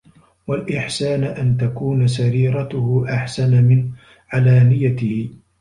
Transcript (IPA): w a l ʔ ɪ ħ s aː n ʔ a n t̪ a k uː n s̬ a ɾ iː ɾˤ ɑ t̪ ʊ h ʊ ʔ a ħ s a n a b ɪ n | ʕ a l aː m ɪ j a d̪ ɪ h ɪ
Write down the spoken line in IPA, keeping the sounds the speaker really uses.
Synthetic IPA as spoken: w a l ʔ ɪ ħ s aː n ʔ a n t̪ a k uː n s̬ a ɾ iː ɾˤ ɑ t̪ ʊ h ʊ ʔ a ħ s a n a m ɪ n | ʕ a l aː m ɪ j a t̪ ɪ h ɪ

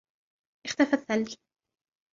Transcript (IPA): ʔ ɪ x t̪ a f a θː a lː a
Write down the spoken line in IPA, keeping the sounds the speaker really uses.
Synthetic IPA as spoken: ʔ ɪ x t̪ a f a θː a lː i

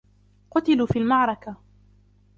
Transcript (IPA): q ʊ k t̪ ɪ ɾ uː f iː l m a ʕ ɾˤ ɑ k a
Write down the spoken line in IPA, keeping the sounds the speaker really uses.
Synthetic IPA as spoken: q ʊ t̪ ɪ l uː f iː l m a ʕ ɾˤ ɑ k a

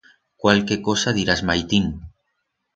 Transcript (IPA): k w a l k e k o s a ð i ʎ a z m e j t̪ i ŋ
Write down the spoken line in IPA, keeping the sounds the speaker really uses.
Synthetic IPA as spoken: k w a l k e k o s a ð i ɾ a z m a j t̪ i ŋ

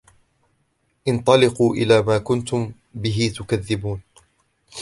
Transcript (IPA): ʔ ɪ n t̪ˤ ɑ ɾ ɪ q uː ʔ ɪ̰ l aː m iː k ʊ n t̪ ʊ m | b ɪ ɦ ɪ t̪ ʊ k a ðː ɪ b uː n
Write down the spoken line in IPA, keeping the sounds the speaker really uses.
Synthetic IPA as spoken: ʔ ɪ n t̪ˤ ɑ l ɪ q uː ʔ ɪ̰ l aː m aː k ʊ n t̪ ʊ m | b ɪ ɦ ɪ t̪ ʊ k a ðː ɪ b uː n

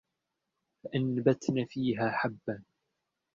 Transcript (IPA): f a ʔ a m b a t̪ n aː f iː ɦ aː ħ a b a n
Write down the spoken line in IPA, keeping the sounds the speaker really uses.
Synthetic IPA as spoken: f a ʔ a n b a t̪ n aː f iː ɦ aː ħ a bː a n

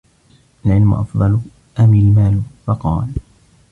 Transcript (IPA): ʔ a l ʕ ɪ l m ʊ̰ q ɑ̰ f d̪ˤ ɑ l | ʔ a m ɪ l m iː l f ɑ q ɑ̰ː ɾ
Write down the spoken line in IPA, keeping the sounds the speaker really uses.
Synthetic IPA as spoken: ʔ a l ʕ ɪ l m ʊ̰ ʔ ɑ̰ f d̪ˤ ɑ l | ʔ a m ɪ l m aː l f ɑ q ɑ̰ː l

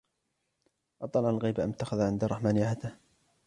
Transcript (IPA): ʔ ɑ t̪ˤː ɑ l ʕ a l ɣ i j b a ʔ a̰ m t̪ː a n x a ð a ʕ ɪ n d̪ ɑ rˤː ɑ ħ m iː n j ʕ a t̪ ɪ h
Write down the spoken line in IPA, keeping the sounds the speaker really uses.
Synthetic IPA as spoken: ʔ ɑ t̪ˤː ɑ l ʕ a l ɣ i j b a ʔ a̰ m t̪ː a x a ð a ʕ ɪ n d̪ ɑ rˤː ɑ ħ m aː n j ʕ a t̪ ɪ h

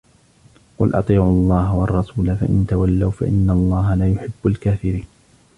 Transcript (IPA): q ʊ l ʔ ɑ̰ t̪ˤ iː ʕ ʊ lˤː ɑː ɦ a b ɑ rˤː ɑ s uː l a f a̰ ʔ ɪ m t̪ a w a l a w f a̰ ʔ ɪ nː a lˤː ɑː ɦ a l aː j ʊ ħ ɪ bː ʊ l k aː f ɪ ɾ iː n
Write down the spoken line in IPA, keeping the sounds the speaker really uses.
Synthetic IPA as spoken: q ʊ l ʔ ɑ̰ t̪ˤ iː ʕ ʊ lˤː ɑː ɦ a w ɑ rˤː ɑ s uː l a f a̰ ʔ ɪ n t̪ a w a lː a w f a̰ ʔ ɪ nː a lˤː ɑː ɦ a l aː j ʊ ħ ɪ bː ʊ l k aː f ɪ ɾ iː n

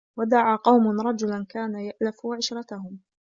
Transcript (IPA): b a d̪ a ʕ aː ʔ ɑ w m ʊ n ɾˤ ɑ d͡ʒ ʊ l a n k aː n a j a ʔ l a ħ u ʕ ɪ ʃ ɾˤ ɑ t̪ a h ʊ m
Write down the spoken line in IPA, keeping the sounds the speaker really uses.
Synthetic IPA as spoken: w a d̪ a ʕ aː q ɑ w m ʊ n ɾˤ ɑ d͡ʒ ʊ l a n k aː n a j a ʔ l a f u ʕ ɪ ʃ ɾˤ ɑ t̪ a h ʊ m

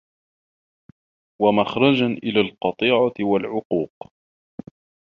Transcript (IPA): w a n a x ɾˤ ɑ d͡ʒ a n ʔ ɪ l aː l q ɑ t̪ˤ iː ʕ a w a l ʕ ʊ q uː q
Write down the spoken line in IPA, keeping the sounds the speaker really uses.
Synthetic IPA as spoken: w a m a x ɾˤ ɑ d͡ʒ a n ʔ ɪ l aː l q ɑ t̪ˤ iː ʕ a w a l ʕ ʊ q uː q

